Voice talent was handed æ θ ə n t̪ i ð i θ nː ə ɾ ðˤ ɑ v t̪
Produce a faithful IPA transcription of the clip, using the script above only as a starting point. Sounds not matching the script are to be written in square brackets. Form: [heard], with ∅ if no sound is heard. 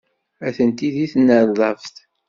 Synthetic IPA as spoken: æ θ ə n t̪ i ð i θ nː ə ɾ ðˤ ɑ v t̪

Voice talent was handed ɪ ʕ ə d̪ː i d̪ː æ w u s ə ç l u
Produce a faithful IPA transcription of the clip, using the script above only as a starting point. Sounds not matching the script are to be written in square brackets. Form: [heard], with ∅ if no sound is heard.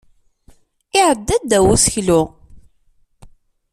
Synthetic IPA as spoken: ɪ ʕ ə d̪ː [æ] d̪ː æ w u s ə ç l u

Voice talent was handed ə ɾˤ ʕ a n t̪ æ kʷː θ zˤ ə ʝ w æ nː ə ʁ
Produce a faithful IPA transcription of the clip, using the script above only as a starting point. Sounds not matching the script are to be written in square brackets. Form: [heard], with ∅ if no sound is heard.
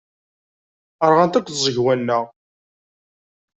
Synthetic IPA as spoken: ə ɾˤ [ʁ] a n t̪ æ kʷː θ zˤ ə ʝ w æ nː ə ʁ

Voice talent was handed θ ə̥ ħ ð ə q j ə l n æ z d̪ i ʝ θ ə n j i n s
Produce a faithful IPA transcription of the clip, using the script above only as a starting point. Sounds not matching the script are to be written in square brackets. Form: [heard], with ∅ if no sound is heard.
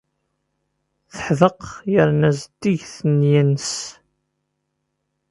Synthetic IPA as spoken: θ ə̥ ħ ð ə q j ə [ɾ] n æ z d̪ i ʝ θ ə n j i n s

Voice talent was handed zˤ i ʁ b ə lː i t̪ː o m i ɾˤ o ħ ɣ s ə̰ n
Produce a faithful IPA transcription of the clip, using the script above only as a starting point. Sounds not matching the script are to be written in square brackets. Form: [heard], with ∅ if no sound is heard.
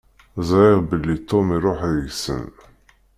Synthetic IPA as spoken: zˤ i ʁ b ə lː i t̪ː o m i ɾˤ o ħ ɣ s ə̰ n

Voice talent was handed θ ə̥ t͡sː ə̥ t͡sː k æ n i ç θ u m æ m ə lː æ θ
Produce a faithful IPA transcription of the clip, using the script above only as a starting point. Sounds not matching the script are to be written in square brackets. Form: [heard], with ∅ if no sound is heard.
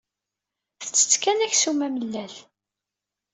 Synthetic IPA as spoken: θ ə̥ t͡sː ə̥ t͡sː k æ n [æ] ç [s] u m æ m ə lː æ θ

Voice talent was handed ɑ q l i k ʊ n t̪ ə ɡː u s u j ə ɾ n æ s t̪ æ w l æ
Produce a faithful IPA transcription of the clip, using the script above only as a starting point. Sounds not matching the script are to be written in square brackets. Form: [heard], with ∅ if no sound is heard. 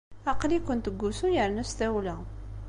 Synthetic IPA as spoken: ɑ q l i k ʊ n t̪ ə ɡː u s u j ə ɾ n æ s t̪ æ w l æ

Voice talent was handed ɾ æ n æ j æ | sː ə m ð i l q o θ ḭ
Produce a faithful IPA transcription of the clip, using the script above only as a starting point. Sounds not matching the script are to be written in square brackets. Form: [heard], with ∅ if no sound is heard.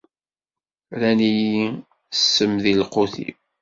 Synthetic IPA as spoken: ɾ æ n [i] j [i] | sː ə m ð i l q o θ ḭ

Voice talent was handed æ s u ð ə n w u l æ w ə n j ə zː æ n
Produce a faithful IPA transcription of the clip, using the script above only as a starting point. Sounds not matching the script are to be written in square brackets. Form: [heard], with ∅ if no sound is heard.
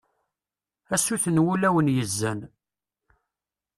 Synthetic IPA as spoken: æ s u [θ] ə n w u l æ w ə n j ə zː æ n

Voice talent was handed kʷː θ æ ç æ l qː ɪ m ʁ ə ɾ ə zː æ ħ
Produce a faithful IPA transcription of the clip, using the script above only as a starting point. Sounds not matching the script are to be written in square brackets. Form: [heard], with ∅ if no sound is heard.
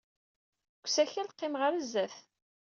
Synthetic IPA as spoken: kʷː [s] æ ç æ l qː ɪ m ʁ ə ɾ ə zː æ [θ]

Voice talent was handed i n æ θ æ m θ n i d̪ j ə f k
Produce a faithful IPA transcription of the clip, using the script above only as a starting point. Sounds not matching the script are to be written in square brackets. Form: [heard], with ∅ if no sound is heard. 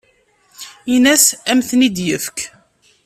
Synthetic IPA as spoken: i n æ [s] æ m θ n i d̪ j ə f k

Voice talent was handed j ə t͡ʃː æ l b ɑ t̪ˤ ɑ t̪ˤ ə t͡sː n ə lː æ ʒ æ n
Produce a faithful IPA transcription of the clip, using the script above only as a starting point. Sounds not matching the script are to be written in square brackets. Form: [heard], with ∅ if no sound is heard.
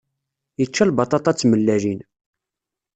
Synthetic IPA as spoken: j ə t͡ʃː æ l b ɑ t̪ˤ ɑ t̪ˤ [ɑ] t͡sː [m] ə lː æ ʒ [i] n

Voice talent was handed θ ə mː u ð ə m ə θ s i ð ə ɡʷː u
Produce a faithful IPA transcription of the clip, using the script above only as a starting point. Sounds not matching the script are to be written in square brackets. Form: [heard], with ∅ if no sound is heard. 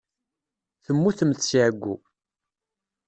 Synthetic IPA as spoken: θ ə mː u [θ] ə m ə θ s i [ʕ] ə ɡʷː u

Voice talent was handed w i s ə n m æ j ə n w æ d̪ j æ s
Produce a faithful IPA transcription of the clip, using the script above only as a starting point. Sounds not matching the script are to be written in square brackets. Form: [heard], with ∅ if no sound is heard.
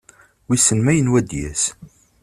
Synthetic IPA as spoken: w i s ə n m æ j ə n w æ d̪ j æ s

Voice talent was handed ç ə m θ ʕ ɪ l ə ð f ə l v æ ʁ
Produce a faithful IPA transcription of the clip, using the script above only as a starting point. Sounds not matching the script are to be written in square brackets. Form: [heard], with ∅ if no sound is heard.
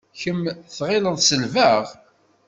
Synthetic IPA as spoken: ç ə m θ [ʁ] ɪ l ə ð [s] ə l v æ ʁ

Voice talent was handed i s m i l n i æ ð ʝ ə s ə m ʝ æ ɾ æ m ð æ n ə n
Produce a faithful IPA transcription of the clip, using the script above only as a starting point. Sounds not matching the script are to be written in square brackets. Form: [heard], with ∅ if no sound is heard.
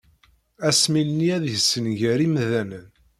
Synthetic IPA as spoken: [æ] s m i l n i æ ð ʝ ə s ə [n] ʝ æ ɾ [i] m ð æ n ə n

